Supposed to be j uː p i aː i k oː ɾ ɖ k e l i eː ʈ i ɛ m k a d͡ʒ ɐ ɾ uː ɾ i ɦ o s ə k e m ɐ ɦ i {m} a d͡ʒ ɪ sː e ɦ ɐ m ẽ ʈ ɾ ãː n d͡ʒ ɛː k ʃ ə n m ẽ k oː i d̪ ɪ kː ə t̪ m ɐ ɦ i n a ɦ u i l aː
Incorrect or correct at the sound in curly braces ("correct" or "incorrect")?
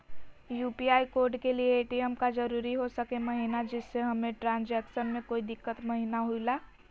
incorrect